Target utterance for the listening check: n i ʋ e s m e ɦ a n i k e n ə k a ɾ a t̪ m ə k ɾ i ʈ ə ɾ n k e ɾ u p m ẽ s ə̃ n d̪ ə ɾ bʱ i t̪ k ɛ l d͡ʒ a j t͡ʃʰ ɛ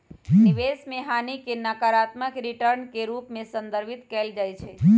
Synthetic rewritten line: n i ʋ e s m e ɦ a n i k e n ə k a ɾ a t̪ m ə k ɾ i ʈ ə ɾ n k e ɾ u p m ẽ s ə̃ n d̪ ə ɾ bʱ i t̪ k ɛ l d͡ʒ a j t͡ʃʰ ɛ